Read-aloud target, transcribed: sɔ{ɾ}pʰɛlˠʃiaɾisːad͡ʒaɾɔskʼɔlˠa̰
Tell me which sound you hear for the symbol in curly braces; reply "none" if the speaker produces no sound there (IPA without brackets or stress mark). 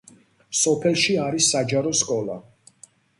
none